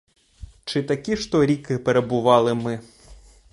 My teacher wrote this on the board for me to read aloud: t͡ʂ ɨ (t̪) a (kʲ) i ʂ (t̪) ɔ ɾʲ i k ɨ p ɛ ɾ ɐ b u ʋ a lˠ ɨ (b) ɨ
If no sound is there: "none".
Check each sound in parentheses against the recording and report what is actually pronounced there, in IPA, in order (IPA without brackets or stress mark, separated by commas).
t̪, kʲ, t̪, m